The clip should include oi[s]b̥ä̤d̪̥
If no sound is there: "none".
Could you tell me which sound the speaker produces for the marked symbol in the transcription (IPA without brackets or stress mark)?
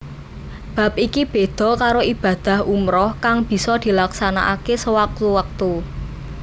none